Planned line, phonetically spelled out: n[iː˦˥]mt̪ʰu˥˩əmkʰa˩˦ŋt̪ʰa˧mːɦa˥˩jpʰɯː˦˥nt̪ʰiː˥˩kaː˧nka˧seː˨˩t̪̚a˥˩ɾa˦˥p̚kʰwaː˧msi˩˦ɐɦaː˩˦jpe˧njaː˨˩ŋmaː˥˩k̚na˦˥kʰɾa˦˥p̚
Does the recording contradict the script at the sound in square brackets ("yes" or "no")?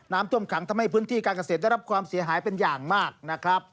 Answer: yes